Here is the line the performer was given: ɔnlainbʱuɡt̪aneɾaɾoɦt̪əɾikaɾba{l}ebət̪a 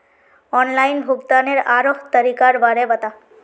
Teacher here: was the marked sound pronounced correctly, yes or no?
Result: no